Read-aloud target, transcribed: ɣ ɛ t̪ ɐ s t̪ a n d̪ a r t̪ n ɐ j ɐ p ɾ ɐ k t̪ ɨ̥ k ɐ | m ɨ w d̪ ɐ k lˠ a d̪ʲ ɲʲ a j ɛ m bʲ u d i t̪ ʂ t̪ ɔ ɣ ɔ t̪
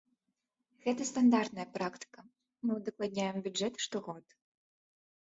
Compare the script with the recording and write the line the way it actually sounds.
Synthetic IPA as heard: ɣ ɛ t̪ ɐ s t̪ a n d̪ a r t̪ n ɐ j ɐ p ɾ a k t̪ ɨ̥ k ɐ | m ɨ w d̪ ɐ k lˠ a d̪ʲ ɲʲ a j ɛ m bʲ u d ɛ t̪ ʂ t̪ ɔ ɣ ɔ t̪